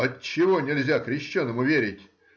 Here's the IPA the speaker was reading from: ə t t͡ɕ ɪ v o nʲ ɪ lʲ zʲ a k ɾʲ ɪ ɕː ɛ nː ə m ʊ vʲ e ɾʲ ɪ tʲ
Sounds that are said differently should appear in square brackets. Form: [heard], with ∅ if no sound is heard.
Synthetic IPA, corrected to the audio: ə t t͡ɕ ɪ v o nʲ ɪ lʲ zʲ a k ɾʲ ɪ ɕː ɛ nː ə m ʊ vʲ e ɾʲ ɪ tʲ